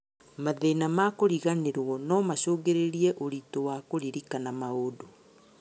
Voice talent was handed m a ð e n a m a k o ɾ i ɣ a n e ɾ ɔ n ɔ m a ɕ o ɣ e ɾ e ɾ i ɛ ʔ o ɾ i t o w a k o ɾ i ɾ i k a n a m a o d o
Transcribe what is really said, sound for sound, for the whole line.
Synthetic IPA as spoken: m a ð e n a m a k o ɾ i ɣ a n e ɾ ɔ n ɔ m a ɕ o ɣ e ɾ e ɾ i ɛ ʔ o ɾ i t o w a k o ɾ i ɾ i k a n a m a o d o